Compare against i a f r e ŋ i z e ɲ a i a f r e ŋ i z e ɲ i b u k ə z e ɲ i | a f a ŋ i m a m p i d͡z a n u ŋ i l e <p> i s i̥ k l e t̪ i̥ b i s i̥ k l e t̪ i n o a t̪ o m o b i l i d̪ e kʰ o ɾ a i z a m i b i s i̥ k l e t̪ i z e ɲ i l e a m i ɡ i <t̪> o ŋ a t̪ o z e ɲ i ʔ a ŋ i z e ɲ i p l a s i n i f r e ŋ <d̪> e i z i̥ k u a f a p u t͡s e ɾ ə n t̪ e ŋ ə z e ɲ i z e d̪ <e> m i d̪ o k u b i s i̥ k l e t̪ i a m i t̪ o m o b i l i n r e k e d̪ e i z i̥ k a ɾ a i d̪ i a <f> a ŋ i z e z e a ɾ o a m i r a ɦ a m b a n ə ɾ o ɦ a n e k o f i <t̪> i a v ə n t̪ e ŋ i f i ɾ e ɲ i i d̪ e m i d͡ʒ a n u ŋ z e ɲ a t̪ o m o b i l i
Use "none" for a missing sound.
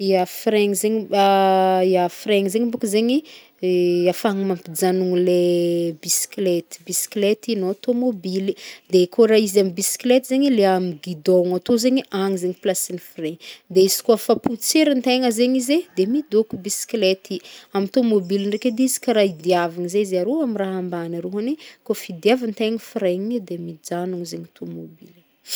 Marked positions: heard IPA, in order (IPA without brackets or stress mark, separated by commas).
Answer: b, d̪, d̪, e, v, d̪